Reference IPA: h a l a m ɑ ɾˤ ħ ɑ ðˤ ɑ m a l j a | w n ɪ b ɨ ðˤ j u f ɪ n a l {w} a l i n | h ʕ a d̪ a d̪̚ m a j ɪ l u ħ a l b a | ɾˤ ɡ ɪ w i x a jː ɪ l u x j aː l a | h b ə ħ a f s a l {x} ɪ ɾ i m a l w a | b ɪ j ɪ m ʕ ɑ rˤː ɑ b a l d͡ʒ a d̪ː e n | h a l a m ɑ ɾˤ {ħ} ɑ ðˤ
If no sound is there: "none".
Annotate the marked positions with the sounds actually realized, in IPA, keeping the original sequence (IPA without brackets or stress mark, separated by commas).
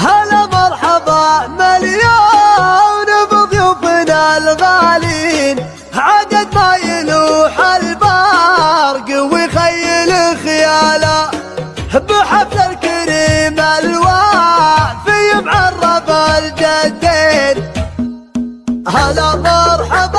ɣ, k, ħ